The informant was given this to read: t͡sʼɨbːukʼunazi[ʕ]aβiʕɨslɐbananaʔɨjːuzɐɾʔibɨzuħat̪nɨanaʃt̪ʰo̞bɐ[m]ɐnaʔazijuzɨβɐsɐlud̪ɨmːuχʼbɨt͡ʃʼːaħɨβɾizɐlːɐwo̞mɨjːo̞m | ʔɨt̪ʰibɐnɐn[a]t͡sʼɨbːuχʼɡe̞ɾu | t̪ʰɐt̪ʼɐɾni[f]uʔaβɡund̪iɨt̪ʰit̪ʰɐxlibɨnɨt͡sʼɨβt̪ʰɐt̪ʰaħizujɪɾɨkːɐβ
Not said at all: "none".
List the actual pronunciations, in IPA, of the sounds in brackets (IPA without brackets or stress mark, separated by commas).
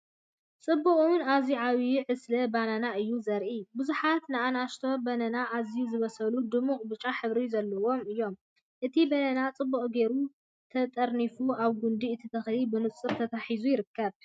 ʕ, n, a, f